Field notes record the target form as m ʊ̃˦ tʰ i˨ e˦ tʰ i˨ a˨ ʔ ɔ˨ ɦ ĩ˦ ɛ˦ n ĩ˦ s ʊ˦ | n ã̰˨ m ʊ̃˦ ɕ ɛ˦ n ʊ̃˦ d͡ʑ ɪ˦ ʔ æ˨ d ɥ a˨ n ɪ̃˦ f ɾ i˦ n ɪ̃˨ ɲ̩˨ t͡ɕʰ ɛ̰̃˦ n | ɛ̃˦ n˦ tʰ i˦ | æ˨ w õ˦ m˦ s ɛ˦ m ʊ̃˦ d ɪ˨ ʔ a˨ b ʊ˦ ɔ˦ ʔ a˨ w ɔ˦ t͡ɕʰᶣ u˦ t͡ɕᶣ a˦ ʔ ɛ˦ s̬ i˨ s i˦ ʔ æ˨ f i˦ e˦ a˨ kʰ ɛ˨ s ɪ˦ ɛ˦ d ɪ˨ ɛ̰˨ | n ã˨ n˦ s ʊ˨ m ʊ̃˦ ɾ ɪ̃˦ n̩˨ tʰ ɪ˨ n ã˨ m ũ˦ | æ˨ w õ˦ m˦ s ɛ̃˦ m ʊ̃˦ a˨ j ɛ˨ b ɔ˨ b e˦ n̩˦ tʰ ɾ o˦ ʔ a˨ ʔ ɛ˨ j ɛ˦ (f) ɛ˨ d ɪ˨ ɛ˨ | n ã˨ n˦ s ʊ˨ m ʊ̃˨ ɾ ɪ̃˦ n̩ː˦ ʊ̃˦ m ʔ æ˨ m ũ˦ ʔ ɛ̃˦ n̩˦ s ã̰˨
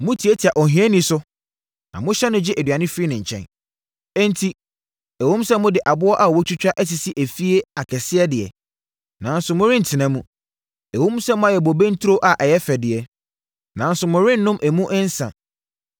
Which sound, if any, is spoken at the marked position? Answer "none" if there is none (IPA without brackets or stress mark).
f